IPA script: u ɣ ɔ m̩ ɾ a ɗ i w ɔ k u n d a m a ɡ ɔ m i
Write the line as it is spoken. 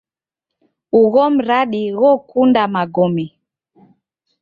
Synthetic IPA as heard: u ɣ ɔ m̩ ɾ a ɗ i ɣ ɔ k u n d a m a ɡ ɔ m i